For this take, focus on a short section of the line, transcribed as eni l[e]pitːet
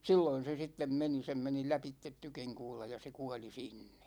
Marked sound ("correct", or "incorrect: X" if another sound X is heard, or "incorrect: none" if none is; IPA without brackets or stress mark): incorrect: æ